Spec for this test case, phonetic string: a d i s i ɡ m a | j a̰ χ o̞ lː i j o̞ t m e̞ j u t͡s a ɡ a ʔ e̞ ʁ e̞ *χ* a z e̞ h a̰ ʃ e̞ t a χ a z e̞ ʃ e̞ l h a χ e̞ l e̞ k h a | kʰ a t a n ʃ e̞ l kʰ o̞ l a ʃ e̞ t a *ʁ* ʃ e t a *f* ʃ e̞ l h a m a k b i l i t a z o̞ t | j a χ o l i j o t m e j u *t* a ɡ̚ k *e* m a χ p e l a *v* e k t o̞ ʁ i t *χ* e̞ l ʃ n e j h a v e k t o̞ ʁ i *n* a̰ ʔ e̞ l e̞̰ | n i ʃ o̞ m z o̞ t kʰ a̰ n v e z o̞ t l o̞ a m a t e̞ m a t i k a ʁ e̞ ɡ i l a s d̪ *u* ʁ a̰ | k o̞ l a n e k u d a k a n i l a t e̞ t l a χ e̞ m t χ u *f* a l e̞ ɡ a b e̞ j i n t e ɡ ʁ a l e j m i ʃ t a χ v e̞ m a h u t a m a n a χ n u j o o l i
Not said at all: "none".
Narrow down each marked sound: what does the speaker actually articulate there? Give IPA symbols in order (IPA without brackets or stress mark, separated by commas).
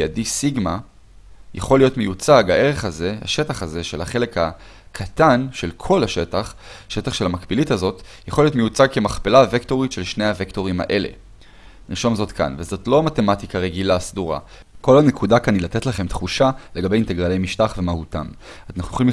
χ, χ, χ, t͡s, e, v, ʃ, m, u, ʃ